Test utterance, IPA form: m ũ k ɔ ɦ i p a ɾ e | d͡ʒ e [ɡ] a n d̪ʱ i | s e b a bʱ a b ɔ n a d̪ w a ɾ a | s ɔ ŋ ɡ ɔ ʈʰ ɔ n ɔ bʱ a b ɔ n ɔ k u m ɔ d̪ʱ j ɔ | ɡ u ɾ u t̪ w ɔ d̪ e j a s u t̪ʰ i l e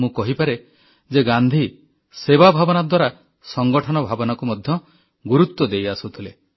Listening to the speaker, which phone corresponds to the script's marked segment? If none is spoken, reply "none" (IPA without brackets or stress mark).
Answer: ɡ